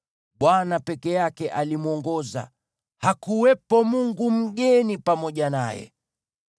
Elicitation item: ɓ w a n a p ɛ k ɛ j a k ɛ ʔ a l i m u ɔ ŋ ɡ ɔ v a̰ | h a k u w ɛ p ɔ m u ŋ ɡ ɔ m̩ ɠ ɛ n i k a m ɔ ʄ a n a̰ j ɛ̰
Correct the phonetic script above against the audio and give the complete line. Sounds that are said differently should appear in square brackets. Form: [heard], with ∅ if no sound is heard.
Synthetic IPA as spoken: ɓ w a n a p ɛ k ɛ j a k ɛ ʔ a l i m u ɔ ŋ ɡ ɔ [z] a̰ | h a k u w ɛ p ɔ m u ŋ ɡ [u] m̩ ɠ ɛ n i [p] a m ɔ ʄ a n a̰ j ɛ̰